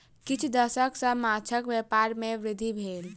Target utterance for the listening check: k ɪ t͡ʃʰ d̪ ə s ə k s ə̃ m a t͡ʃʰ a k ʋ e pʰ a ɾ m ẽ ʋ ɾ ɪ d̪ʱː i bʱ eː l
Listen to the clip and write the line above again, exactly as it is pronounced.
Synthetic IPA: k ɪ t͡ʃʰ d̪ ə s ə k s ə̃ m a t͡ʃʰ ə k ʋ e p a ɾ m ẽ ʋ ɾ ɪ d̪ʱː i bʱ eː l